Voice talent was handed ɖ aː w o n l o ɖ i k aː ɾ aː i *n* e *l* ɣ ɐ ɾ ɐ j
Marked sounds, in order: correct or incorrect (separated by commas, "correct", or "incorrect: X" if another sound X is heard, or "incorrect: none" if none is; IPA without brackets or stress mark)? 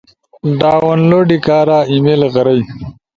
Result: incorrect: m, correct